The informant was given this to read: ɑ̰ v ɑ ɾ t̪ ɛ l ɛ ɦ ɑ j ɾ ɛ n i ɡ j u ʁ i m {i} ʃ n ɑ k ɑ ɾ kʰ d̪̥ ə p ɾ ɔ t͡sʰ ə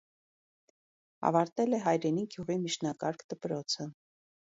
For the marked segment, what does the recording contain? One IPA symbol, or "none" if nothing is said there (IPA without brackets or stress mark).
i